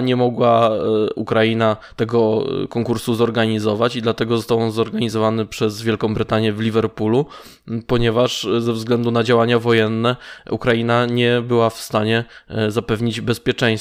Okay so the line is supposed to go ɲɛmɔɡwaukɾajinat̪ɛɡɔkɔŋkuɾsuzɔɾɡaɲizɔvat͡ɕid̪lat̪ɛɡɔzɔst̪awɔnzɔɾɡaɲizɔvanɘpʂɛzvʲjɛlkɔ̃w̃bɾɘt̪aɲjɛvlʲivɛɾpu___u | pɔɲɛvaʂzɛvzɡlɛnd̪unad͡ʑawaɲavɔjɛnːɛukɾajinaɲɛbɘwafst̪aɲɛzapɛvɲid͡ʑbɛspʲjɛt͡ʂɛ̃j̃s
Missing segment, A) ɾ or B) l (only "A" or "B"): B